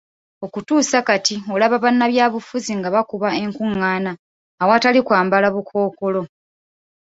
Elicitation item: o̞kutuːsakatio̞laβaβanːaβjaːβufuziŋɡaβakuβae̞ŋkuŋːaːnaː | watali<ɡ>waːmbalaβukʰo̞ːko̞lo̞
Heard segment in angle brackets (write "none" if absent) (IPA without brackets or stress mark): k